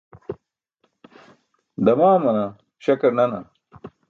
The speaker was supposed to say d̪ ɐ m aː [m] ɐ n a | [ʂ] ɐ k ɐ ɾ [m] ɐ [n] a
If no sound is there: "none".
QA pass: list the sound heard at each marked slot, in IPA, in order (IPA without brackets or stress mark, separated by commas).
m, ɕ, n, n